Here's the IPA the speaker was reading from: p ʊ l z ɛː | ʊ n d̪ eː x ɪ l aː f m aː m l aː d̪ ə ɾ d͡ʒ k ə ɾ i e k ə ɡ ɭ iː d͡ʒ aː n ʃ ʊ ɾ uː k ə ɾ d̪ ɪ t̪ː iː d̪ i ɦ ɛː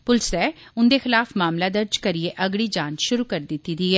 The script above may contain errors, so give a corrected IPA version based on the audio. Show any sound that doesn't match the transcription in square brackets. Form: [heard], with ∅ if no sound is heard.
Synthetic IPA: p ʊ l [s] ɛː | ʊ n d̪ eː x ɪ l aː f m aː m l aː d̪ ə ɾ d͡ʒ k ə ɾ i e [ʔ] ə ɡ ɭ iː d͡ʒ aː n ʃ ʊ ɾ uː k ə ɾ d̪ ɪ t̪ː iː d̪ i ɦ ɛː

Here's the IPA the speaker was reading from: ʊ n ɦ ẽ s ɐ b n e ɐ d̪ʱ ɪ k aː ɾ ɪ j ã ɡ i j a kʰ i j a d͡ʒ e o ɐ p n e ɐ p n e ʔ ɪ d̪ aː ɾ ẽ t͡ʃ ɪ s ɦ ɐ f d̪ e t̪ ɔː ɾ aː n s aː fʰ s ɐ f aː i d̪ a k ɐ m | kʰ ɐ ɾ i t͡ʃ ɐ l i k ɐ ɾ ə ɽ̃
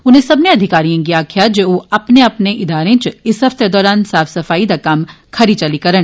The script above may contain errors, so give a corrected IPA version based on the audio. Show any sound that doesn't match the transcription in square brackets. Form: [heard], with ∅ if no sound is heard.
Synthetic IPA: ʊ n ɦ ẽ s ɐ b n e ɐ d̪ʱ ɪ k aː ɾ [i] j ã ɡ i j a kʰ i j a d͡ʒ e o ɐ p n e ɐ p n e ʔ ɪ d̪ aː ɾ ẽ t͡ʃ ɪ s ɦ ɐ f [t̪] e [d̪] ɔː ɾ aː n s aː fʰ s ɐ f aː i d̪ a k ɐ m | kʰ ɐ ɾ i t͡ʃ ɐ l i k ɐ ɾ ə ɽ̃

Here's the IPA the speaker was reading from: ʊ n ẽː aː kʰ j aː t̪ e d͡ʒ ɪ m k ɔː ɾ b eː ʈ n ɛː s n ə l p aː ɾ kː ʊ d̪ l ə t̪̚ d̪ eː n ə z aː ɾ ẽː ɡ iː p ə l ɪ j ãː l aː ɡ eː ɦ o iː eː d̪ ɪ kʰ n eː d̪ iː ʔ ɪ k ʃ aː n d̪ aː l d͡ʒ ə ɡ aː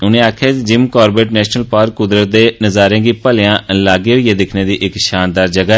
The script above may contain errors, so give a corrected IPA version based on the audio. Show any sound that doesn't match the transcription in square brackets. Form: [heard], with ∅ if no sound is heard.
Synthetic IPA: ʊ n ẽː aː kʰ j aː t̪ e d͡ʒ ɪ m k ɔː ɾ b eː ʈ n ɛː [ʃ] n ə l p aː ɾ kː ʊ d̪ [ɾ] ə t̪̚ d̪ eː n ə z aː ɾ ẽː ɡ iː p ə l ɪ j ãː l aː ɡ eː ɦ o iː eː d̪ ɪ kʰ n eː d̪ iː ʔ ɪ k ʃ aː n d̪ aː [ɾ] d͡ʒ ə ɡ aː

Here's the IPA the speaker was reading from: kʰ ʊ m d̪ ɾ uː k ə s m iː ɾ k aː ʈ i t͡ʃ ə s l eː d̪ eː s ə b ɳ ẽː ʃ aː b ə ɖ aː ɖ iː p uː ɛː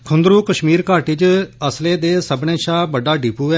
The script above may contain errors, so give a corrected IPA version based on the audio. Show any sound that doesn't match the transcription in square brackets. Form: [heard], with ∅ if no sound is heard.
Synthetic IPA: kʰ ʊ [n] d̪ ɾ uː k ə [ʃ] m iː ɾ k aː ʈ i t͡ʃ ə s l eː d̪ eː s ə b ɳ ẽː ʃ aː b ə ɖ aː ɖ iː p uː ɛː

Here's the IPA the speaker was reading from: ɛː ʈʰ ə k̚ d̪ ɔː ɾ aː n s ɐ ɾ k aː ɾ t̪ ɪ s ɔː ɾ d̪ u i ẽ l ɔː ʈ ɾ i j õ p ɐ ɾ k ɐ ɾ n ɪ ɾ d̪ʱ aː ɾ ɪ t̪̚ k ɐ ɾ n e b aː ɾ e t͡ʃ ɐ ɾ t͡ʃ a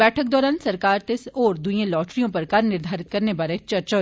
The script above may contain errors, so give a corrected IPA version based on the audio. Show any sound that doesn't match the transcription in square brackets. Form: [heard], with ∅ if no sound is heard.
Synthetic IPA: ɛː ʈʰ ə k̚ d̪ ɔː ɾ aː n s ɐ ɾ k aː ɾ t̪ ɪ s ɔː ɾ d̪ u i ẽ l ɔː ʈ ɾ i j õ p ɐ ɾ k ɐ ɾ n ɪ ɾ d̪ʱ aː ɾ ɪ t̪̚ k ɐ ɾ n e b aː ɾ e t͡ʃ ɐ ɾ t͡ʃ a

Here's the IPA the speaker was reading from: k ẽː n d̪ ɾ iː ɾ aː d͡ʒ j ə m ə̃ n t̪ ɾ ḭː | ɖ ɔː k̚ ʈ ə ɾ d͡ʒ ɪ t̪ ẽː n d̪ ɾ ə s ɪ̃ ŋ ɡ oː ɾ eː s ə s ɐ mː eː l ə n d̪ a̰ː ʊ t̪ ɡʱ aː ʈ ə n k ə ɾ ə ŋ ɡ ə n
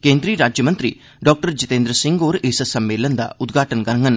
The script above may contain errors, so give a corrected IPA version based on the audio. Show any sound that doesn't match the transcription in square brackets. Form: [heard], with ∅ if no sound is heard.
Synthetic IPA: k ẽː n d̪ ɾ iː ɾ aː d͡ʒ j ə m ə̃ n t̪ ɾ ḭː | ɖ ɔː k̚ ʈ ə ɾ d͡ʒ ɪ t̪ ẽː n d̪ ɾ ə s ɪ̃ ŋ ɡ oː ɾ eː s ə s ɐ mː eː l ə n d̪ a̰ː ʊ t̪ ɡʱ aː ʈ ə n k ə ɾ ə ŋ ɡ ə n

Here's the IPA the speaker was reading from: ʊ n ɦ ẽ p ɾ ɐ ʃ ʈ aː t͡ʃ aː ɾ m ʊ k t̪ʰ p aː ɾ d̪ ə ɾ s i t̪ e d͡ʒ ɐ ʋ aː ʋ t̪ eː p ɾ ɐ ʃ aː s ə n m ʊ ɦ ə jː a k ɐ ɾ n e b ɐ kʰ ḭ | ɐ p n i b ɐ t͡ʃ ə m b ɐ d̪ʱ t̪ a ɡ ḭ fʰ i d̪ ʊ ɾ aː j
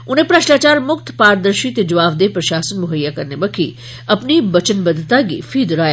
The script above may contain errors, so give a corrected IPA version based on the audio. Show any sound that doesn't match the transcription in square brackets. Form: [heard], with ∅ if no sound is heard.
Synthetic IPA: ʊ n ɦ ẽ p ɾ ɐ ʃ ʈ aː t͡ʃ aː ɾ m ʊ k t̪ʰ p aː ɾ d̪ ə ɾ [ʃ] i t̪ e d͡ʒ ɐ ʋ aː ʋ [d̪] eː p ɾ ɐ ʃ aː s ə n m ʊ ɦ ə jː a k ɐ ɾ n e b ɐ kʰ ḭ | ɐ p n i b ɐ t͡ʃ ə [n] b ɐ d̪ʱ t̪ a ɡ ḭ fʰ i d̪ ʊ ɾ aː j

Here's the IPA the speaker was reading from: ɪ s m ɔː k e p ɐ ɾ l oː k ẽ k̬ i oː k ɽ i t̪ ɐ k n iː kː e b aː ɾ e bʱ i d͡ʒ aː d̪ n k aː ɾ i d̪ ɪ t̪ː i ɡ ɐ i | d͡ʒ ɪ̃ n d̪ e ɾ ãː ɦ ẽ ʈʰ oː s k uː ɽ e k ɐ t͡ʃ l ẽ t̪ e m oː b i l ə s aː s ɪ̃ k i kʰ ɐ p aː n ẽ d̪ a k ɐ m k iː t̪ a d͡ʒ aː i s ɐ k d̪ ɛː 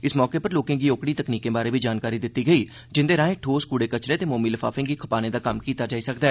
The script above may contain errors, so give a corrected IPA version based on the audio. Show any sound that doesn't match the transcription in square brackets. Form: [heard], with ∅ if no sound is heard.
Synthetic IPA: ɪ s m ɔː k e p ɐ ɾ l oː k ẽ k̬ i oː k ɽ i t̪ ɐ k n iː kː e b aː ɾ e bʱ i d͡ʒ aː [∅] n k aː ɾ i d̪ ɪ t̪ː i ɡ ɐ i | d͡ʒ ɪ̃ n d̪ e ɾ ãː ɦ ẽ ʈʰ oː s k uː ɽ e k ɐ t͡ʃ [ɾ] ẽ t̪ e m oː [m] i l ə [f] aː [f] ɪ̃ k i kʰ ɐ p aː n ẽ d̪ a k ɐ m k iː t̪ a d͡ʒ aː i s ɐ k d̪ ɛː

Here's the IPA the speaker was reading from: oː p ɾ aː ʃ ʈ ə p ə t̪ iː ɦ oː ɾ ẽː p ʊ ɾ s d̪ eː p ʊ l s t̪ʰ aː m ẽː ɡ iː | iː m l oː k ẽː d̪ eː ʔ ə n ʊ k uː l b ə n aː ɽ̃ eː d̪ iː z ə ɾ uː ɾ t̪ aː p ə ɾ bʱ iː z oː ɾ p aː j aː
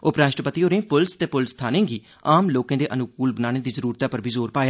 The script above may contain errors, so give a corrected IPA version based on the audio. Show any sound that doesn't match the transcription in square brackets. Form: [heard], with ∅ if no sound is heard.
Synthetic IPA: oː p ɾ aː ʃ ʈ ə p ə t̪ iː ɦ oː ɾ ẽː p ʊ [l] s [t̪] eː p ʊ l s t̪ʰ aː [n] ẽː ɡ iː | [aː] m l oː k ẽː d̪ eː ʔ ə n ʊ k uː l b ə n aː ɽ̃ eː d̪ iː z ə ɾ uː ɾ t̪ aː p ə ɾ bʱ iː z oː ɾ p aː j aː

